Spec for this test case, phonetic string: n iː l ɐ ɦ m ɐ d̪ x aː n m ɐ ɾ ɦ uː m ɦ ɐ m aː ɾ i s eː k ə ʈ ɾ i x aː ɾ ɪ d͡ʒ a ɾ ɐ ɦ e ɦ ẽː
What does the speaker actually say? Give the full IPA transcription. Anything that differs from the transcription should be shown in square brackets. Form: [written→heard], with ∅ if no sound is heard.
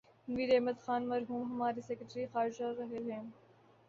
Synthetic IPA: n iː [l→ɾ] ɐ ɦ m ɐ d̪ x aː n m ɐ ɾ ɦ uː m ɦ ɐ m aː ɾ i s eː k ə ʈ ɾ i x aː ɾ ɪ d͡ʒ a ɾ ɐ ɦ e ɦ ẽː